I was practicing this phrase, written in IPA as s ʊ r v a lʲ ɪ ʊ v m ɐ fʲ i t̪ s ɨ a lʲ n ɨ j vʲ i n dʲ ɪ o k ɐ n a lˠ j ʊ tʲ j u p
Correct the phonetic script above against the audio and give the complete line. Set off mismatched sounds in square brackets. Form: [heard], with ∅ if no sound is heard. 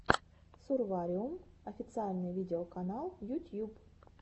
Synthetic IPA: s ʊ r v a [ɾʲ] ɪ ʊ [∅] m ɐ fʲ [ɪ] t̪ s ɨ a lʲ n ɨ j vʲ i [∅] dʲ ɪ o k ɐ n a lˠ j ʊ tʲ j u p